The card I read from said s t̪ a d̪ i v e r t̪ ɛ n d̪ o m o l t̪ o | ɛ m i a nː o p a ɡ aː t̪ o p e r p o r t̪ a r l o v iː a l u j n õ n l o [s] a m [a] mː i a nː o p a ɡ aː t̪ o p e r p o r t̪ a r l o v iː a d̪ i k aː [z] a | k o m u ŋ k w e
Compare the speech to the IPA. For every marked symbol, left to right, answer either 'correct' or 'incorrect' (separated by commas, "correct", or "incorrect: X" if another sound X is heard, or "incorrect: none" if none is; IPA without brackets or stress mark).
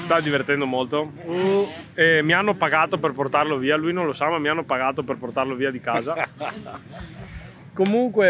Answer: correct, correct, correct